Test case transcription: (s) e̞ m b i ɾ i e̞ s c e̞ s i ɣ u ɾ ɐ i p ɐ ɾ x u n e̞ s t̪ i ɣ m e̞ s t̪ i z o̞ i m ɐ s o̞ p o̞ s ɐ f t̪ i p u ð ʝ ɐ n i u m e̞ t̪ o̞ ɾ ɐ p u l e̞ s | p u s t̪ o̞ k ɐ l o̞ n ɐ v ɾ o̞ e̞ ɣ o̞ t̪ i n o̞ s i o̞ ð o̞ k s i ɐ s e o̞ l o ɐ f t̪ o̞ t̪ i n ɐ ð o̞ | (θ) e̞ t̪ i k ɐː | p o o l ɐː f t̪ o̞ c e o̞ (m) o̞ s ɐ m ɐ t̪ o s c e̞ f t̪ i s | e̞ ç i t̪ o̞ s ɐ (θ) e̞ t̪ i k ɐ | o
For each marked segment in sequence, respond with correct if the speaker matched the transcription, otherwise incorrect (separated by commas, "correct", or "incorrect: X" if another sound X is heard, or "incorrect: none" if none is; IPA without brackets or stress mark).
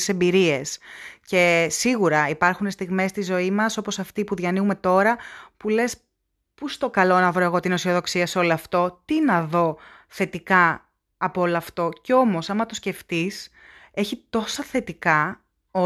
correct, correct, correct, correct